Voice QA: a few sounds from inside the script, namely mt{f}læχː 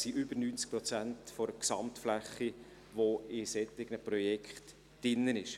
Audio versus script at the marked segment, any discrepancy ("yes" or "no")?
no